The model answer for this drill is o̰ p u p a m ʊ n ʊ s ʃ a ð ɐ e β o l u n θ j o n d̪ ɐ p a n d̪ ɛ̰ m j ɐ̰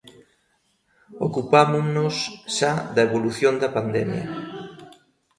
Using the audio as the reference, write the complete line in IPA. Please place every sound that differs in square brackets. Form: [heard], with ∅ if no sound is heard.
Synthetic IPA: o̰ [k] u p a m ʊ n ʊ s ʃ a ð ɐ e β o l u [∅] θ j o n d̪ ɐ p a n d̪ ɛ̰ m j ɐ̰